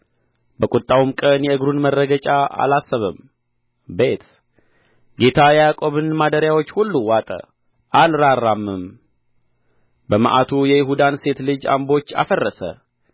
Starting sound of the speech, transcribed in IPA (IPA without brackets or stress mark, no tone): b